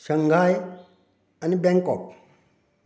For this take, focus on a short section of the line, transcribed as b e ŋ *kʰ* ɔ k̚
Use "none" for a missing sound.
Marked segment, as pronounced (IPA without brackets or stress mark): k